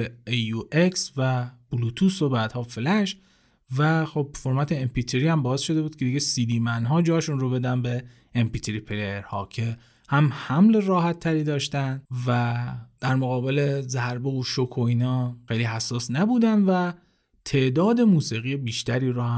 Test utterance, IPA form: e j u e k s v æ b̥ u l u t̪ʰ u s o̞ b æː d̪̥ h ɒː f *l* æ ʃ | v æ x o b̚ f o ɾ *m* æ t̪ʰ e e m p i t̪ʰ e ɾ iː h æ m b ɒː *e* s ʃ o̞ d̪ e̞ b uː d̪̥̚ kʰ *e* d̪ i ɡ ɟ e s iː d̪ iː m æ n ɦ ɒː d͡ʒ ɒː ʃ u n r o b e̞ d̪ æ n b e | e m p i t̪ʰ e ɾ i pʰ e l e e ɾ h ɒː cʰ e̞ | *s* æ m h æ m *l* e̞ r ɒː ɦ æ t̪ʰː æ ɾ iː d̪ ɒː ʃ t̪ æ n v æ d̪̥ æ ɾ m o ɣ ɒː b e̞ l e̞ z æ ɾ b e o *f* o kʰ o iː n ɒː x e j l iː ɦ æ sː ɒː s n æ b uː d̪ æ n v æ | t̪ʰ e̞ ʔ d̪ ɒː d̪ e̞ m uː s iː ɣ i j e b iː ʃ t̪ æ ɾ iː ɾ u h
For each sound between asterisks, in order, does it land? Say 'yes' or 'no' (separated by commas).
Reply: yes, yes, yes, yes, no, yes, no